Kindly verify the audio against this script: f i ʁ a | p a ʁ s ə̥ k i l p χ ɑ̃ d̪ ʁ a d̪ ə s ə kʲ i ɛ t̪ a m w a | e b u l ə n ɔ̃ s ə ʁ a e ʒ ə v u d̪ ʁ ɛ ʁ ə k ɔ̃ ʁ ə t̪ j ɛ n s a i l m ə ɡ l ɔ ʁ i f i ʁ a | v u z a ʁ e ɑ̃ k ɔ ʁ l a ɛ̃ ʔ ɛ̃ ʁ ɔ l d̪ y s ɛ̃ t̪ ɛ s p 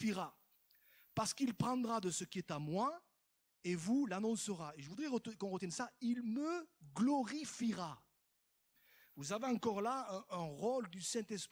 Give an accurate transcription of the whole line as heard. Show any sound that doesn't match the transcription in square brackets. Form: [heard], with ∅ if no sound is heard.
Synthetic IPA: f i ʁ a | p a ʁ s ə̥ k i l p χ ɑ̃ d̪ ʁ a d̪ ə s ə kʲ i ɛ t̪ a m w a | e [v] u l [a] n ɔ̃ s ə ʁ a e ʒ ə v u d̪ ʁ ɛ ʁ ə k ɔ̃ ʁ ə t̪ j ɛ n s a i l m ə ɡ l ɔ ʁ i f i ʁ a | v u z a [v] e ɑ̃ k ɔ ʁ l a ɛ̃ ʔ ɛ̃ ʁ ɔ l d̪ y s ɛ̃ t̪ ɛ s p